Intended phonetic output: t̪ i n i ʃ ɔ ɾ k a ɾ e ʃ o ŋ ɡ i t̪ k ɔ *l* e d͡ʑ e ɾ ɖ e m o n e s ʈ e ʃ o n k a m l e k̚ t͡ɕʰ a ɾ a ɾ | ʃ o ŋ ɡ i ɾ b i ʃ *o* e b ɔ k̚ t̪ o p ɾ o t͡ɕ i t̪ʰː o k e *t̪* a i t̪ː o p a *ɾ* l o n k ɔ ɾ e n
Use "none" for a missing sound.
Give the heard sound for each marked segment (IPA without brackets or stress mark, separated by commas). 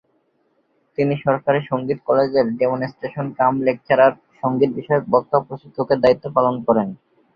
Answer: l, ɔ, d̪, none